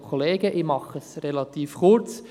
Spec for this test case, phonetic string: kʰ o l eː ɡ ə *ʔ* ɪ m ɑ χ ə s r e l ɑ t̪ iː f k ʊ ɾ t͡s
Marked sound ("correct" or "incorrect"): correct